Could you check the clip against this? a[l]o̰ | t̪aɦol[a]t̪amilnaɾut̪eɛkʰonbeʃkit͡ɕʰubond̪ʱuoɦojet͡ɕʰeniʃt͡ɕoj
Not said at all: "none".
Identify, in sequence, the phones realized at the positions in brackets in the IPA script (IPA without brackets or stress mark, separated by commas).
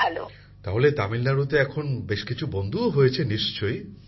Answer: l, e